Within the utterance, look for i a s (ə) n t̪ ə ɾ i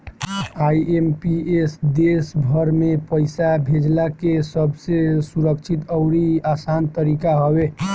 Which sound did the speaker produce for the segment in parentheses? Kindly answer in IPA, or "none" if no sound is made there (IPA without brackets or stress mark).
a